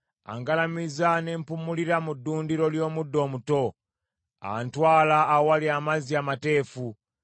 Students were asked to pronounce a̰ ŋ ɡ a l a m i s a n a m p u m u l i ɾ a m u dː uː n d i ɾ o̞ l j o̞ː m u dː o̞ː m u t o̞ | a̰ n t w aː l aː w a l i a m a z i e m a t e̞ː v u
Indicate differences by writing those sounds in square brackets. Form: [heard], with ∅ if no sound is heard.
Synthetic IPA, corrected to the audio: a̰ ŋ ɡ a l a m i [z] a n [e] m p u m u l i ɾ a m u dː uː n d i ɾ o̞ l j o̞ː m u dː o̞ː m u t o̞ | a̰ n t w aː l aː w a l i a m a z i [a] m a t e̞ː [f] u

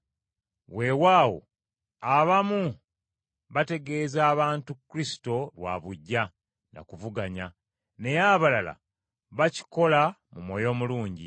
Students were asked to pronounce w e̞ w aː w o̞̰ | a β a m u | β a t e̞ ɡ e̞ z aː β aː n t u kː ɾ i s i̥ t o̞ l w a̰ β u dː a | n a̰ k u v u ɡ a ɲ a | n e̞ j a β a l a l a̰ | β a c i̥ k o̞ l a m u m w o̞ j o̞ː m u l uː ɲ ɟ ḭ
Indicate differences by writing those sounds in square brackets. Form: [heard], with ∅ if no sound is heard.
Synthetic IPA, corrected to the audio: w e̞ w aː w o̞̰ | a β a m u | β a t e̞ ɡ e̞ z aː β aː n t u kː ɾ i s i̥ t o̞ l w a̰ β u [ɟː] a | n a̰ k u v u ɡ a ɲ a | n e̞ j a β a l a l a̰ | β a c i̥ k o̞ l a m u m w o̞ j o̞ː m u l uː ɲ ɟ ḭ

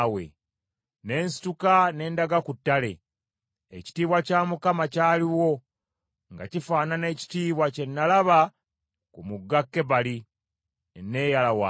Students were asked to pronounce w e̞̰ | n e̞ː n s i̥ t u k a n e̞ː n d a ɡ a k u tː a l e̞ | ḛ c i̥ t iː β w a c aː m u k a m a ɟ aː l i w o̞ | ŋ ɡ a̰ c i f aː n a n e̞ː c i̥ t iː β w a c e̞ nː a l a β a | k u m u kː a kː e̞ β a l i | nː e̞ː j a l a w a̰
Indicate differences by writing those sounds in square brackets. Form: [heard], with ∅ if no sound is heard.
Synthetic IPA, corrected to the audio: w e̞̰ | n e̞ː n s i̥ t u k a n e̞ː n d a ɡ a k u tː a l e̞ | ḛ c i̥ t iː β w a c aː m u k a m a [c] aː l i w o̞ | ŋ ɡ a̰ c i f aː n a n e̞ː c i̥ t iː β w a c e̞ nː a l a β a | k u m u [ɡː] a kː e̞ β a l i | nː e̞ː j a l a w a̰

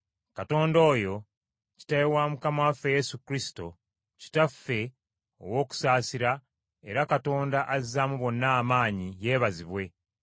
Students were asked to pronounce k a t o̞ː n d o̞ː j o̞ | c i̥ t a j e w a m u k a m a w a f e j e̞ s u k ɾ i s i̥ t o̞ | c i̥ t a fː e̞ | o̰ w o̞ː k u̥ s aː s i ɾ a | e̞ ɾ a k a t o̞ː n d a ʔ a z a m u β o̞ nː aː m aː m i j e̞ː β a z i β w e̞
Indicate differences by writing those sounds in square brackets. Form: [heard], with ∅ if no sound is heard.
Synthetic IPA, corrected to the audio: k a t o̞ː n d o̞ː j o̞ | c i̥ t a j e w a m u k a m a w a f e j e̞ s u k ɾ i s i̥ t o̞ | c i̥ t a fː e̞ | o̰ w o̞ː k u̥ s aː s i ɾ a | e̞ ɾ a k a t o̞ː n d a ʔ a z a m u β o̞ nː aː m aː [ɲ] i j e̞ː β a z i β w e̞

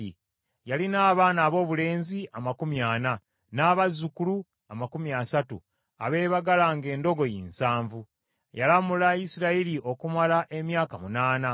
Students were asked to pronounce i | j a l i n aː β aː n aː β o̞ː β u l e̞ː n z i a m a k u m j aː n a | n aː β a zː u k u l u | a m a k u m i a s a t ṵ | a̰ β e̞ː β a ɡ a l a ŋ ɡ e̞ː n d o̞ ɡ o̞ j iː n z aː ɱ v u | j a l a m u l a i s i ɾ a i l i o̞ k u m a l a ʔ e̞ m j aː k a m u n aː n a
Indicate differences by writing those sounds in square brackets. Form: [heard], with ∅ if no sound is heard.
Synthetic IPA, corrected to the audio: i | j a l i n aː β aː n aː β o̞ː β u l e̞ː n z i a m a k u m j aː n a | n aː β a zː u k u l u | a m a k u m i a s a t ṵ | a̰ β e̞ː β a ɡ a l a ŋ ɡ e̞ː n d o̞ ɡ o̞ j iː n [s] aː ɱ v u | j a l a m u l a i s i ɾ a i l i o̞ k u m a l a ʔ e̞ m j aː k a m u n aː n a

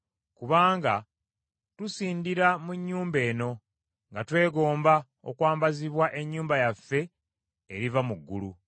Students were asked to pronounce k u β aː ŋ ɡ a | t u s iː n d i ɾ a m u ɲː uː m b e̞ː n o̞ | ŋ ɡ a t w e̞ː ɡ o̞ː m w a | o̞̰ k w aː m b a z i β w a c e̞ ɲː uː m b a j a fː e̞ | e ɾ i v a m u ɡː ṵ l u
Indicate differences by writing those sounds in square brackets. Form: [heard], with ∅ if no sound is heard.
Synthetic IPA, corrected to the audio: k u β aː ŋ ɡ a | t u s iː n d i ɾ a m u ɲː uː m b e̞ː n o̞ | ŋ ɡ a t w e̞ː ɡ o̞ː m [b] a | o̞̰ k w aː m b a z i β w a [ʔ] e̞ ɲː uː m b a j a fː e̞ | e ɾ i v a m u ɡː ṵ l u

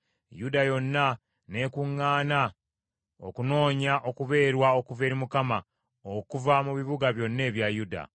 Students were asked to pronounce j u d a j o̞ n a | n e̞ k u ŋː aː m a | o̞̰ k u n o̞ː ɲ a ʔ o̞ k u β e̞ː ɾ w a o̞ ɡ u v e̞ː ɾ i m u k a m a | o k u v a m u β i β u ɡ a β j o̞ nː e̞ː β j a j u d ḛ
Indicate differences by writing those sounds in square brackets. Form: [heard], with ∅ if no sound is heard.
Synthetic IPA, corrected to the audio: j u d a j o̞ [nː] a | n e̞ k u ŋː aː [n] a | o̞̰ k u n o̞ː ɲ a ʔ o̞ k u β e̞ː ɾ w a o̞ [k] u v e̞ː ɾ i m u k a m a | o k u v a m u β i β u ɡ a β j o̞ nː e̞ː β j a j u d [a̰]

